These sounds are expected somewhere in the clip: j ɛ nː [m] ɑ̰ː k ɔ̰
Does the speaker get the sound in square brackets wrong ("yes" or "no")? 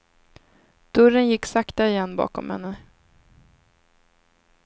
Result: yes